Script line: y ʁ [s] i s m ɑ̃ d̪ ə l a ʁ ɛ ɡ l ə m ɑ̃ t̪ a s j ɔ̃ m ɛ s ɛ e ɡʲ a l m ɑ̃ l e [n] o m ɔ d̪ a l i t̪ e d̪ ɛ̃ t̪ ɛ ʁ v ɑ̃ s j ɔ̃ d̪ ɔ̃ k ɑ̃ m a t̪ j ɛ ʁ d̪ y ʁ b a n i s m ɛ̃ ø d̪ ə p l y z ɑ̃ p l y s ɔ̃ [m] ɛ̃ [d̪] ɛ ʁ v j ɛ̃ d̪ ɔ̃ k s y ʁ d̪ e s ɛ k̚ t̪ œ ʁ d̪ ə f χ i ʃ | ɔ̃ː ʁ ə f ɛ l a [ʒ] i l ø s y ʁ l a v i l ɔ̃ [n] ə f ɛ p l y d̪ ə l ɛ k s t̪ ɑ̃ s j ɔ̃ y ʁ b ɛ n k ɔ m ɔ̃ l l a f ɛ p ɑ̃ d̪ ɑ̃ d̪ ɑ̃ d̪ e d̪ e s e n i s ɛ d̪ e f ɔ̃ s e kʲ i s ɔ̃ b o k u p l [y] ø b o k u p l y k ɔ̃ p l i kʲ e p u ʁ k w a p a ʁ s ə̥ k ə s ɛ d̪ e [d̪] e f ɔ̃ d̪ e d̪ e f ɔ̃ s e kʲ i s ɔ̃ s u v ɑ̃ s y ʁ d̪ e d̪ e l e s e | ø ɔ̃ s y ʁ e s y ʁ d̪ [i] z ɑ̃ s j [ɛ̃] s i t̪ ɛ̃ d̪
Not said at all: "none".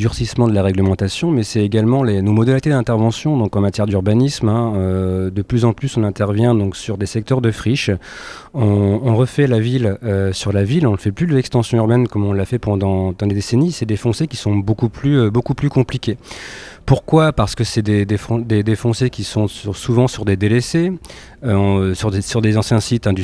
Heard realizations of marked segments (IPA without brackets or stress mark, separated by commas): s, n, n, t̪, v, n, y, d̪, e, ɛ̃